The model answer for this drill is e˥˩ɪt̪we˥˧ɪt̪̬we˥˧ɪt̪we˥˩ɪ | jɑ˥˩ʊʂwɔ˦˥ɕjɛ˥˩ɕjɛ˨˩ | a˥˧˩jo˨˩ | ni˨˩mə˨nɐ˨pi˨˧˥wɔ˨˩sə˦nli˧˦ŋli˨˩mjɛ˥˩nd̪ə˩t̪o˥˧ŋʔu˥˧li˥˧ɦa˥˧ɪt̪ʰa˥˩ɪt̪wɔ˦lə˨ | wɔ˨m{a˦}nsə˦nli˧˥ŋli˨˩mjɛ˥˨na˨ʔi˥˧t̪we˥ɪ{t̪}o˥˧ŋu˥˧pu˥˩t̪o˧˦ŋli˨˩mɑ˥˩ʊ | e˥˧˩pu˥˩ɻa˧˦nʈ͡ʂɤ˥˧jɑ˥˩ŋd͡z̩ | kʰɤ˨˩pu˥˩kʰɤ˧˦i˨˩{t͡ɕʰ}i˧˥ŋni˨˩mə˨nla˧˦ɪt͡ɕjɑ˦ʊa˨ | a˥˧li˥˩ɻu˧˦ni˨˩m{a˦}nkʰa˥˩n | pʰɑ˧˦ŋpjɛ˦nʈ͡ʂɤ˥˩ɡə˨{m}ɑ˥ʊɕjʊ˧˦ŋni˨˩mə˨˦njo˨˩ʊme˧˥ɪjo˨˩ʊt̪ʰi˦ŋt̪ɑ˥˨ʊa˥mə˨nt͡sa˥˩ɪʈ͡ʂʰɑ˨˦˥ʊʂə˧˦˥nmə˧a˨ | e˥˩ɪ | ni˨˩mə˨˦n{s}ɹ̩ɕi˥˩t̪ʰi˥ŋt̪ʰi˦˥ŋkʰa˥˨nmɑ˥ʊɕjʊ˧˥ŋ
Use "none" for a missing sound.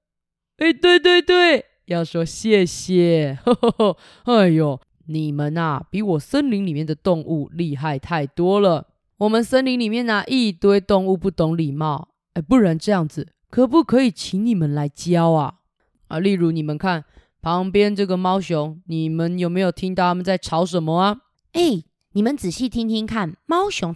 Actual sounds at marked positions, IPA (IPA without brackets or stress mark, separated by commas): ə˦, t̪, t͡ɕʰ, ə˦, m, t͡s